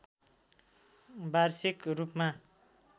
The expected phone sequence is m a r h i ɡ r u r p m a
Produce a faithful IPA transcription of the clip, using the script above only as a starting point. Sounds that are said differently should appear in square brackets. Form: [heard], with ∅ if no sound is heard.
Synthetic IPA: [b] a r [s] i [k] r u [∅] p m a